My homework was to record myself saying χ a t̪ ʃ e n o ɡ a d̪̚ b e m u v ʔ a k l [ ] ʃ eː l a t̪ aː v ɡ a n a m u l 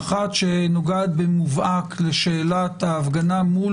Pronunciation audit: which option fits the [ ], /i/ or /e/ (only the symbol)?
e